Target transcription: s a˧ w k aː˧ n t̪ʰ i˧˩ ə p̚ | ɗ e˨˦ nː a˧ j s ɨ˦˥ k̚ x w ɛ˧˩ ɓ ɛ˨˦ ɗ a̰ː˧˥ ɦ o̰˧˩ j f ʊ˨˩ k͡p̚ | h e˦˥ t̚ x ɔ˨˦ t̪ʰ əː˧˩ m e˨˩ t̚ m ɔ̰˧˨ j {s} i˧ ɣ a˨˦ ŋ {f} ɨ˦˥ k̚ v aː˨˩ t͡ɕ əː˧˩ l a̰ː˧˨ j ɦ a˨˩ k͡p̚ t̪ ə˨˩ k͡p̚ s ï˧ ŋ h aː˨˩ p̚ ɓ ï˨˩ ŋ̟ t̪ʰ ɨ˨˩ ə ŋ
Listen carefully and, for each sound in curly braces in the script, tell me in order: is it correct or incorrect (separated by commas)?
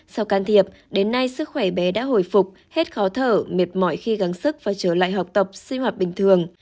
incorrect, incorrect